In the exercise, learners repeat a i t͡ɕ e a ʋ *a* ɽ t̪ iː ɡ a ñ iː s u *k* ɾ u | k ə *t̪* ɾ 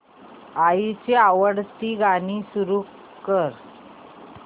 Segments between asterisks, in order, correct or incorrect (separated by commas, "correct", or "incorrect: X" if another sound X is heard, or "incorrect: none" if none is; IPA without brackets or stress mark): incorrect: ə, incorrect: none, incorrect: none